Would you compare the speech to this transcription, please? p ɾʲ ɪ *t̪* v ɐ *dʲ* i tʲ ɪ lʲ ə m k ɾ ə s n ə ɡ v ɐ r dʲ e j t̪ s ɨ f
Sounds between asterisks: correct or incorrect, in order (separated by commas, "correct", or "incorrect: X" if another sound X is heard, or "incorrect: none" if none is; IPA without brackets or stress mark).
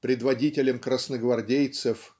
incorrect: d̪, correct